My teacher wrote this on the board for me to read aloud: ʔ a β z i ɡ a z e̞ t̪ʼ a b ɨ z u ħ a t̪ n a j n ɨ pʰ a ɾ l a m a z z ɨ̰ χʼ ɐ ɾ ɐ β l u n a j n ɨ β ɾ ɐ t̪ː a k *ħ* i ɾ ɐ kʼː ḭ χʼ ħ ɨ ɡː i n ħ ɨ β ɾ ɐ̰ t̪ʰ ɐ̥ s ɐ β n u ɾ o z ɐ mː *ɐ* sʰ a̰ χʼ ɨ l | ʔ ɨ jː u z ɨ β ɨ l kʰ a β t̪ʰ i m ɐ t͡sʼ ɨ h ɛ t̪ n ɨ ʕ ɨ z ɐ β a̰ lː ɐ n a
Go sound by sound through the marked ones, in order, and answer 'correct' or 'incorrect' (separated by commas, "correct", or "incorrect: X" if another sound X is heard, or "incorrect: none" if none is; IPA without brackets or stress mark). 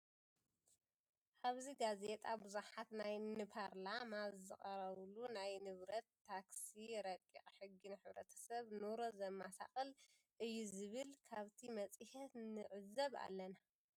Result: incorrect: s, incorrect: a